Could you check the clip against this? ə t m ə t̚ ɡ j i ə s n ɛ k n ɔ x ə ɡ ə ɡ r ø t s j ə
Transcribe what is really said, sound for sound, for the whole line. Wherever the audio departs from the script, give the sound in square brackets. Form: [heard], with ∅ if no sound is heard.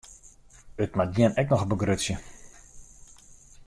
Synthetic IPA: ə t m [a] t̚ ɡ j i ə [∅] n ɛ k n ɔ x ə [b] ə ɡ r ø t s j ə